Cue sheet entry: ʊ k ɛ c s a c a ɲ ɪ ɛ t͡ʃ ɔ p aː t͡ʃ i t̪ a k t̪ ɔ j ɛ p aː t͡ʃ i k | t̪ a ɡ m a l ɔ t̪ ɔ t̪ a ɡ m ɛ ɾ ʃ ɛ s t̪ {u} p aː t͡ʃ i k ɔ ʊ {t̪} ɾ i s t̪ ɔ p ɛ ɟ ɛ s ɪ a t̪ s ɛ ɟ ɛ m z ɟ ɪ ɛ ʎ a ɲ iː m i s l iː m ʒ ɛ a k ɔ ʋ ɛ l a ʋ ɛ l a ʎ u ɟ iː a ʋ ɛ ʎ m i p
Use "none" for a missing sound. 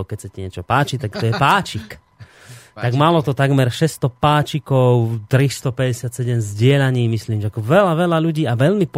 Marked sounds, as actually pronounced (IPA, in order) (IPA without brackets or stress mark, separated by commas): ɔ, t̪